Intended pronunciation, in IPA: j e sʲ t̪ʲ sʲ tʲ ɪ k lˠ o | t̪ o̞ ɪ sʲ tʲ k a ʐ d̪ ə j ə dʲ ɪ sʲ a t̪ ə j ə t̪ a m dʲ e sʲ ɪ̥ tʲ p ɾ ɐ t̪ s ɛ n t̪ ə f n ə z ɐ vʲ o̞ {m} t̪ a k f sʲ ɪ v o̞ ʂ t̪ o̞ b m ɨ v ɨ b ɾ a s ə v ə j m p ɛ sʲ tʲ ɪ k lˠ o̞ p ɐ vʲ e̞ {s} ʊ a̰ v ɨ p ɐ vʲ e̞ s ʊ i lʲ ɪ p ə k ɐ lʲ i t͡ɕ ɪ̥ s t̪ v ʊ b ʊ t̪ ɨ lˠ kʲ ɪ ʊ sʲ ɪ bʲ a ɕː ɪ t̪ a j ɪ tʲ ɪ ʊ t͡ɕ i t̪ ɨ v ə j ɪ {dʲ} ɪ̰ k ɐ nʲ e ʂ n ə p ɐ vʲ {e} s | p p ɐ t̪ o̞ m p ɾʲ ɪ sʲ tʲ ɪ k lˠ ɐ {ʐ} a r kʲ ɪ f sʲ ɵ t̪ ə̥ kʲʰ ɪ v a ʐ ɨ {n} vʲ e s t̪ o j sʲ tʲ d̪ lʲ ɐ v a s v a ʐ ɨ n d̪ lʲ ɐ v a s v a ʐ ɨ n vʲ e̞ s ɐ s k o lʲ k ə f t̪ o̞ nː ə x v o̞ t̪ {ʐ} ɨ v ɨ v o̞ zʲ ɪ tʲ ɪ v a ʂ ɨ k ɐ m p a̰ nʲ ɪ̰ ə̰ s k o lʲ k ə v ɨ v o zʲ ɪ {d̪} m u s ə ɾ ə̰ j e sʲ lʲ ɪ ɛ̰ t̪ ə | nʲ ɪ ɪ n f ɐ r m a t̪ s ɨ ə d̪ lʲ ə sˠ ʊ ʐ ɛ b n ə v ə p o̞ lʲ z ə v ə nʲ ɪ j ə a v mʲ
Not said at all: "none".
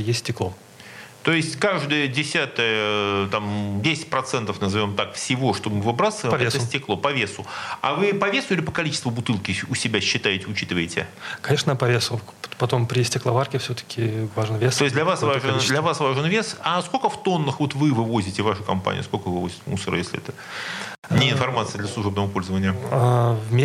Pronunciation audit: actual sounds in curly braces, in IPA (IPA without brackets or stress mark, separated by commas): m, s, tʲ, e, v, n, v, t̪